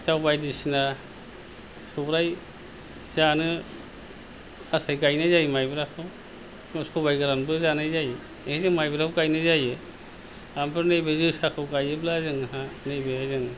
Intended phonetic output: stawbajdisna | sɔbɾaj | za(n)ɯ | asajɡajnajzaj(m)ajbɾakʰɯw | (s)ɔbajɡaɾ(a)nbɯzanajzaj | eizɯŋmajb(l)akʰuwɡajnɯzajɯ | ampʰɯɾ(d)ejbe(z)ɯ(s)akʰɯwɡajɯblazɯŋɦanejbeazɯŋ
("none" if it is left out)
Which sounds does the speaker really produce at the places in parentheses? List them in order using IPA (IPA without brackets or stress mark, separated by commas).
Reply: n, m, s, a, ɾ, n, z, s